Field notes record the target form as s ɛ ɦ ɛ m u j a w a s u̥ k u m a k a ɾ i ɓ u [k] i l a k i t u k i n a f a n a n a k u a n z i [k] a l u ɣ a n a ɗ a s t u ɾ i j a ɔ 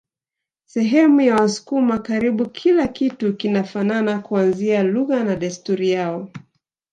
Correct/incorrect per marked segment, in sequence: incorrect, incorrect

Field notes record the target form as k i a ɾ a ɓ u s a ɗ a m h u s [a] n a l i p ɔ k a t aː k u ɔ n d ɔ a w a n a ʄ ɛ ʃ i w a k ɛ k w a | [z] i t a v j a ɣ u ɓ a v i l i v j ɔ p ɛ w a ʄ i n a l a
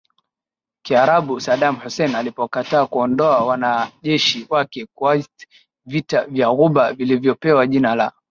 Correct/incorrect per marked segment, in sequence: incorrect, incorrect

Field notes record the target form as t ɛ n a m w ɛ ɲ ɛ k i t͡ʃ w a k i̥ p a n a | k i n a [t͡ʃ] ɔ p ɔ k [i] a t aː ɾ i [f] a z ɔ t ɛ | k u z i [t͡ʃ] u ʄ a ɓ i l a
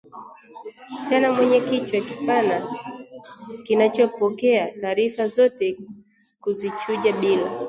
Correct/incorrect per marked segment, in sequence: correct, incorrect, correct, correct

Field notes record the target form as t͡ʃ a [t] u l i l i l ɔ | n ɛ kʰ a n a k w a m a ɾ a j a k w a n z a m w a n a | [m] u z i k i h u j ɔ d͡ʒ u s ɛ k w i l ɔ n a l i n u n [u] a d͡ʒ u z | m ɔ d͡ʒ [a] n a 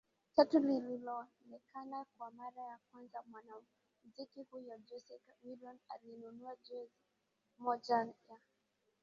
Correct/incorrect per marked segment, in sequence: correct, correct, correct, correct

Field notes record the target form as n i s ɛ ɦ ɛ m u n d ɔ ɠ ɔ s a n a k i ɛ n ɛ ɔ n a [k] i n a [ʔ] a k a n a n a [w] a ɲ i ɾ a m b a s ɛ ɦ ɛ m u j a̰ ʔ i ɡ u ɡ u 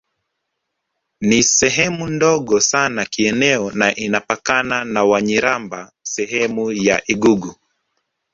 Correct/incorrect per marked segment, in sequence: incorrect, incorrect, correct

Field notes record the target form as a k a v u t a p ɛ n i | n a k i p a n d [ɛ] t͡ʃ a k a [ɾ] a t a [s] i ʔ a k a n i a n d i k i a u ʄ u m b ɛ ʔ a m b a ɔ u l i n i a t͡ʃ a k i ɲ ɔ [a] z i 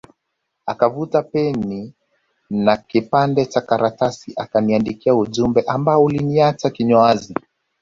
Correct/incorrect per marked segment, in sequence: correct, correct, correct, correct

